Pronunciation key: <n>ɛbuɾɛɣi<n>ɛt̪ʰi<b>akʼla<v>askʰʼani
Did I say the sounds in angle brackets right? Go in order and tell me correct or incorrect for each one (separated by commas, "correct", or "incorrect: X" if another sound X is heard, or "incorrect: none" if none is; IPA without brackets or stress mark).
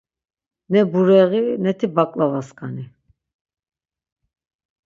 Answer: correct, correct, correct, correct